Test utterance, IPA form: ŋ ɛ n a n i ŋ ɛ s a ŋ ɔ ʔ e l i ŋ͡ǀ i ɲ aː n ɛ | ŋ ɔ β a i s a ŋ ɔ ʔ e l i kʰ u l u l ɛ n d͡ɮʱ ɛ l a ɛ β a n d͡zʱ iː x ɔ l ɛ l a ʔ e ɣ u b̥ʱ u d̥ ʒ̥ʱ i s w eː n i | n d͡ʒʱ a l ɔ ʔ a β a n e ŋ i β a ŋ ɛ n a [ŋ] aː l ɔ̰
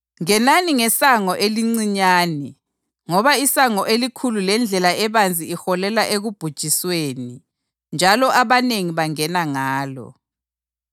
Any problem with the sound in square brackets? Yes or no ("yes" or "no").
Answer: no